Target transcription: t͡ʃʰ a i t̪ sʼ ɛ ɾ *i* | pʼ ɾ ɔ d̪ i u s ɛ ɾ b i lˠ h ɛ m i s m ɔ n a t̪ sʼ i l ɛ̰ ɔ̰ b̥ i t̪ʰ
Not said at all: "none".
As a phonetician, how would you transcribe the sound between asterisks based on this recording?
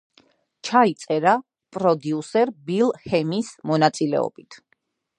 a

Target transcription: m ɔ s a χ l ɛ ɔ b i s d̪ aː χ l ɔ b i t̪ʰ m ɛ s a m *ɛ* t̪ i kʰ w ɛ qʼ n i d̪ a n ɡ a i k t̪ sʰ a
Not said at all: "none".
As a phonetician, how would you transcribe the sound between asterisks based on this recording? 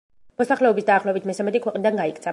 ɛ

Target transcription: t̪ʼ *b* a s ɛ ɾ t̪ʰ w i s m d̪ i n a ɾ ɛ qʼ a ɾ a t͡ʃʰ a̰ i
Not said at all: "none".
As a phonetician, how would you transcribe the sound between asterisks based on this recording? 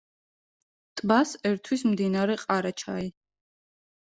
b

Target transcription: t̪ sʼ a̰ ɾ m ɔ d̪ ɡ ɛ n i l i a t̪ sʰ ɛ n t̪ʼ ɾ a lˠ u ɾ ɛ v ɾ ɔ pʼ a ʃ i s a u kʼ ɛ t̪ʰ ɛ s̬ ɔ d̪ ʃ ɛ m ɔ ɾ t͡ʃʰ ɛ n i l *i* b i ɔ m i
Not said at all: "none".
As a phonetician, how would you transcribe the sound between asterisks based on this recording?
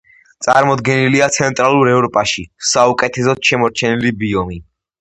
i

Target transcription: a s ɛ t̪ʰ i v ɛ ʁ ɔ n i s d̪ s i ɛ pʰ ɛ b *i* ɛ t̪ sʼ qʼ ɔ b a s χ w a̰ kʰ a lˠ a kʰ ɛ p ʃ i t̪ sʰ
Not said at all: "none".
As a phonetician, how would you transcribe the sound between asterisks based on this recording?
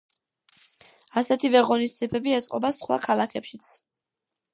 i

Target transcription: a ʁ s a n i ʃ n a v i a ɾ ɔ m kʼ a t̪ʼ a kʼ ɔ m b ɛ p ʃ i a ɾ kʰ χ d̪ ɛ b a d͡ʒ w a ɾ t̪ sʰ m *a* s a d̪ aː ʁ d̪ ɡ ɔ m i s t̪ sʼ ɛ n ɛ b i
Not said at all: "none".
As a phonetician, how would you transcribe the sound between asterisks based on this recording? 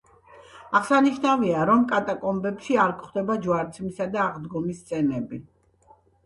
i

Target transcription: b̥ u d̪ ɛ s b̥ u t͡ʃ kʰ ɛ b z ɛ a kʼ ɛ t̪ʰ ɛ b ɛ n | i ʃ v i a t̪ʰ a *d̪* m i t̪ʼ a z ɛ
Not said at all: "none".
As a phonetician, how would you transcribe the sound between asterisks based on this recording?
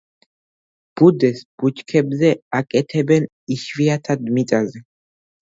d̪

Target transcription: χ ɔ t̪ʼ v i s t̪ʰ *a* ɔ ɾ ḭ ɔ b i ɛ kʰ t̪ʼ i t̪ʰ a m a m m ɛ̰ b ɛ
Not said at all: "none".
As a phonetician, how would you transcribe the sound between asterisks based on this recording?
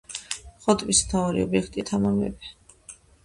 a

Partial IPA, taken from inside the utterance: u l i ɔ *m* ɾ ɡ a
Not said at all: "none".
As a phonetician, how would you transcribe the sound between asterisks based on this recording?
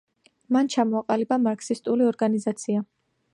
none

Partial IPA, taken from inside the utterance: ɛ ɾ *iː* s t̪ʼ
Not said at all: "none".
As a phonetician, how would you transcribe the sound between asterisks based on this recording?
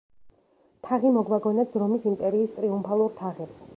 iː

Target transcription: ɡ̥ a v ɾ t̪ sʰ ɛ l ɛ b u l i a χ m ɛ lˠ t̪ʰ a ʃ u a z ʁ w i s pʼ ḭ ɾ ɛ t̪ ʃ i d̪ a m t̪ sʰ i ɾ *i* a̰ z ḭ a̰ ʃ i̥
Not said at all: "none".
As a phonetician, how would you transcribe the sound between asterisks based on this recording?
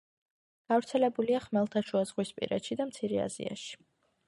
ɛ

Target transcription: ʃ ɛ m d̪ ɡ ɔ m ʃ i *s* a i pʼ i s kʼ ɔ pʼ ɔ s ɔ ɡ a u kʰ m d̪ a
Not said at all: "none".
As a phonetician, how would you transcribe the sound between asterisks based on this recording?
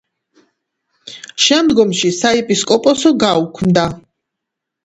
s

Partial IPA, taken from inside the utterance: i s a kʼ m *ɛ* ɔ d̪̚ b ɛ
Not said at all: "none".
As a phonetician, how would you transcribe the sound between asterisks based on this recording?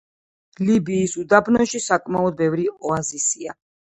a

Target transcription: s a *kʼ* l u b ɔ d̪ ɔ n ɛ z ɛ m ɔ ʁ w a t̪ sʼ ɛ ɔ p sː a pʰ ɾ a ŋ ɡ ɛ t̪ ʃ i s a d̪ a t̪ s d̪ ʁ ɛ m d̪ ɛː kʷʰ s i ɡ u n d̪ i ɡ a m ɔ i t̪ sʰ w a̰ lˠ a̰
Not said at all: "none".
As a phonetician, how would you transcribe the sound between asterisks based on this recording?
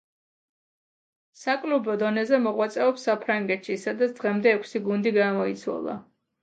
kʼ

